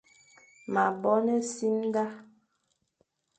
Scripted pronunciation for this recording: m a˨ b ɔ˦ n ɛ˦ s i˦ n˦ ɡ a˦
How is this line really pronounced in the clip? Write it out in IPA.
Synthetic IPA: m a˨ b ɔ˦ n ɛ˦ s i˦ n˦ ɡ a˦

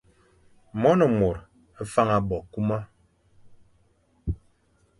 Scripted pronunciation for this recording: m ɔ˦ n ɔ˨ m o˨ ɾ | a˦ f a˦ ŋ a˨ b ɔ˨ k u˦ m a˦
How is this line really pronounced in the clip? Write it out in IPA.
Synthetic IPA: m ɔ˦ n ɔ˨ m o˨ ɾ | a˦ f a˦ ŋ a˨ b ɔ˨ k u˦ m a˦

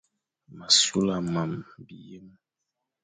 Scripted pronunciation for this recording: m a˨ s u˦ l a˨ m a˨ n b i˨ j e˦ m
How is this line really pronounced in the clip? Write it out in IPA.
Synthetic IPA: m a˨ s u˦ l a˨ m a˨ m b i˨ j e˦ m

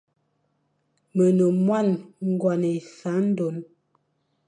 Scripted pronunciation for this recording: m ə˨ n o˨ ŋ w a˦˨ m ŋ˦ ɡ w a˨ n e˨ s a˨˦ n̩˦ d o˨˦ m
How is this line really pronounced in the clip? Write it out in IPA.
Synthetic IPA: m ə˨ n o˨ m w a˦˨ n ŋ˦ ɡ w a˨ n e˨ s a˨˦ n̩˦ d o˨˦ n

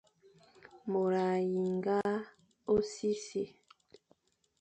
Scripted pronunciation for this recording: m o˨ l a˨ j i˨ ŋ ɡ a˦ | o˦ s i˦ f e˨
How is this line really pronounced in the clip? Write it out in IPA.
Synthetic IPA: m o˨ ɾ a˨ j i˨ ŋ ɡ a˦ | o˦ s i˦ s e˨

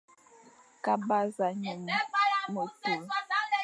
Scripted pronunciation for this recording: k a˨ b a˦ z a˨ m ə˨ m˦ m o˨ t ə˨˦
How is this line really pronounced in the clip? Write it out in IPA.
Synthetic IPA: k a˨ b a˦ z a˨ ɲ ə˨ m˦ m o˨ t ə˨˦

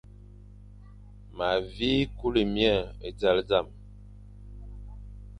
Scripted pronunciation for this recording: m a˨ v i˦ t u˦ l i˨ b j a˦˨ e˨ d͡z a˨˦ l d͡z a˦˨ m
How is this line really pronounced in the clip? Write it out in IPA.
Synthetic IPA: m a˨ v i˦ k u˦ l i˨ m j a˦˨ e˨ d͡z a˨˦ l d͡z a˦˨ m

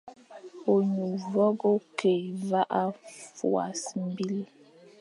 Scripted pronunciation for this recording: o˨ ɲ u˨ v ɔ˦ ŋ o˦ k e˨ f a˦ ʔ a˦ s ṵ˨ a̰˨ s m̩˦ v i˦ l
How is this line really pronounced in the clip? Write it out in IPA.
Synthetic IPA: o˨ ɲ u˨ v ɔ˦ ɡ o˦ k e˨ v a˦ ʔ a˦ f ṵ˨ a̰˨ s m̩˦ b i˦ l

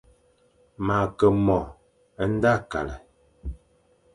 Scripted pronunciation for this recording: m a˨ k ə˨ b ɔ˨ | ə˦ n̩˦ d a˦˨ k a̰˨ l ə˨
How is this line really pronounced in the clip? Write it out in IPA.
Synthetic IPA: m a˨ k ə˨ m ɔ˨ | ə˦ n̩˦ d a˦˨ k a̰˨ l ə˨

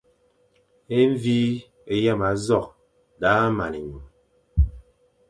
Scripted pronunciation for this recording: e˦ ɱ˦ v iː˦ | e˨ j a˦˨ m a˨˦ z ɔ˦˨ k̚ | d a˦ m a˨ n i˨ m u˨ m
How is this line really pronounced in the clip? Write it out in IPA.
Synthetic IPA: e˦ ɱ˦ v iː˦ | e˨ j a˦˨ m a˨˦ z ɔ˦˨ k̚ | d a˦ m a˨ n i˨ ɲ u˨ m

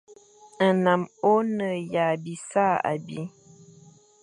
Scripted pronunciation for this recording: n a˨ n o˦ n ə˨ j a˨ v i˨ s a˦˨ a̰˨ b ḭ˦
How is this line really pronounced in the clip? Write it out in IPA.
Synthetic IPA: n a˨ m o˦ n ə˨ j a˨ b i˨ s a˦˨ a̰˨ b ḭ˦

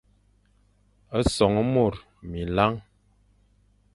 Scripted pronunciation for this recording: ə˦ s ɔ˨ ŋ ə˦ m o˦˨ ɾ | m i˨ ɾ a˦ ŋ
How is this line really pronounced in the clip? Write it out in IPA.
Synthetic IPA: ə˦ s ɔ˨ ŋ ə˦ m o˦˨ ɾ | m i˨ l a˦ ŋ

